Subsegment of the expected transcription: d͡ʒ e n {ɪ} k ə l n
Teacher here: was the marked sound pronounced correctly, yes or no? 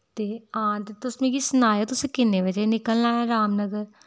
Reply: yes